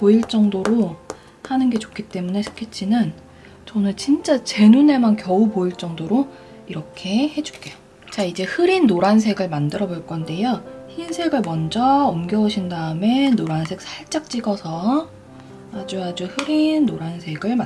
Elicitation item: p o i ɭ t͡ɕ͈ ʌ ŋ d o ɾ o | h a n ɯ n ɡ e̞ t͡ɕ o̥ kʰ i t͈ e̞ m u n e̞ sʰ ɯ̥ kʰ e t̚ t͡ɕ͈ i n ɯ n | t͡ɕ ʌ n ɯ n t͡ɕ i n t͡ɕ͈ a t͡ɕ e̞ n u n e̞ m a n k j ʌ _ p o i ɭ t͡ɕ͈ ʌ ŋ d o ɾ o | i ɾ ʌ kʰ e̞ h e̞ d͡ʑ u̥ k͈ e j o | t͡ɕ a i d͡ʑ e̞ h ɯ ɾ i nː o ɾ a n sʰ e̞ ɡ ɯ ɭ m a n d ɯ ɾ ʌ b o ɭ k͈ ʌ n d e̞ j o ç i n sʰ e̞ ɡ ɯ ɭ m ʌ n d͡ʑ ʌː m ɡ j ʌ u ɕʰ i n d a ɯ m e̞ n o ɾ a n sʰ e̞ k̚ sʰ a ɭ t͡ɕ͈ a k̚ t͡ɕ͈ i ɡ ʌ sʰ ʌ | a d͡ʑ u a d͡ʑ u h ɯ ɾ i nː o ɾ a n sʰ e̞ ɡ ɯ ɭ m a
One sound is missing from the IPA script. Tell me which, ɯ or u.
u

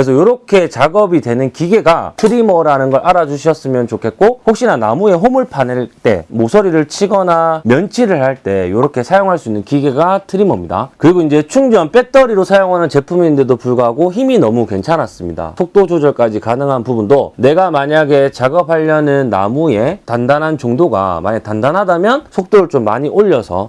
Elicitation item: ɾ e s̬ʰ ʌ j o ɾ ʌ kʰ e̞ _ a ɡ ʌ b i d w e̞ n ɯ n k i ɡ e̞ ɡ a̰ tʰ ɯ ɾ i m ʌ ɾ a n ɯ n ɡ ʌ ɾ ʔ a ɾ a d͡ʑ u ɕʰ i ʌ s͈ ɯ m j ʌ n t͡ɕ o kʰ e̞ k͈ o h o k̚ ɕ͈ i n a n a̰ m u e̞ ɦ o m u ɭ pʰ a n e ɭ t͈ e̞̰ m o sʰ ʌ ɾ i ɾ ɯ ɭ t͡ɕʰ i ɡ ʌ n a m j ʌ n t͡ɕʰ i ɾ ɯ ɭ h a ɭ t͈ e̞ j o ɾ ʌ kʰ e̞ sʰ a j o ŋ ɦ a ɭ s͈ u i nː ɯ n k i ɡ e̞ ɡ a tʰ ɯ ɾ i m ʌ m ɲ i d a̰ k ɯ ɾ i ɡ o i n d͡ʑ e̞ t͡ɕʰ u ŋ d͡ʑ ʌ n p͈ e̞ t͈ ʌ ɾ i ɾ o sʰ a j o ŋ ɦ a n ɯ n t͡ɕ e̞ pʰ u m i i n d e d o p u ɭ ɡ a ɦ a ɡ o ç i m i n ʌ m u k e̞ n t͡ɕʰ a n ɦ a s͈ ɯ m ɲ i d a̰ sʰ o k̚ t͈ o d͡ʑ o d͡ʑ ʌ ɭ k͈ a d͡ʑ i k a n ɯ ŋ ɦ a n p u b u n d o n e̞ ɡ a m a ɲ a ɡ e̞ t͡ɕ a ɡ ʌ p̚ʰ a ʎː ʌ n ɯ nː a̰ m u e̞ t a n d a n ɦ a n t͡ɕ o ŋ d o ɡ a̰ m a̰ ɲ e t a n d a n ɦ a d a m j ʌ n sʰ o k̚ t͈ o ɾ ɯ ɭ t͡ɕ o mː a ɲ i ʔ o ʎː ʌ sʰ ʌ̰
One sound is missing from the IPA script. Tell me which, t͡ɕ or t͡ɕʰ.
t͡ɕ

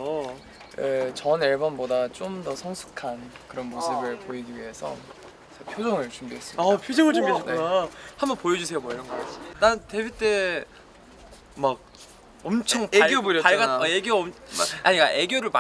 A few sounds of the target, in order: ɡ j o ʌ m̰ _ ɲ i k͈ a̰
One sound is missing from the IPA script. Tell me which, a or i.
a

